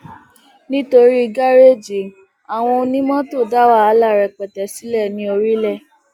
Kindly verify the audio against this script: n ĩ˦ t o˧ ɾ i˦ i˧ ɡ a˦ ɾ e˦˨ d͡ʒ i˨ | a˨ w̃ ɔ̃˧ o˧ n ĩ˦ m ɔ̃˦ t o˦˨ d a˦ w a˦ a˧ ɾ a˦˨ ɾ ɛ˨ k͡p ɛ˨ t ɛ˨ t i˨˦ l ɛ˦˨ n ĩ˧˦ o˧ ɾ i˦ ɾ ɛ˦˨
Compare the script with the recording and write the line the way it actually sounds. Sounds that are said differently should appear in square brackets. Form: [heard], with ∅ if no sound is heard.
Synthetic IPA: n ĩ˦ t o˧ ɾ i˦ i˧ ɡ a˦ ɾ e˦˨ d͡ʒ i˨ | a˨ w̃ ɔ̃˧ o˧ n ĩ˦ m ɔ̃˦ t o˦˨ d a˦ w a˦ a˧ [l] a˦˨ ɾ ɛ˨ k͡p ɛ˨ t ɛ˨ [s] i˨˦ l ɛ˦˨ n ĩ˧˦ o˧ ɾ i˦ [l] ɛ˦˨